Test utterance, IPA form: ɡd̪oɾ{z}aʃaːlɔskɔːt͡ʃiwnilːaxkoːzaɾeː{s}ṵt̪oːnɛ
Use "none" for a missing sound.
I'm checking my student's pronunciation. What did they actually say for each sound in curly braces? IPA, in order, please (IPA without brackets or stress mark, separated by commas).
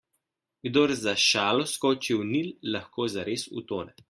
z, s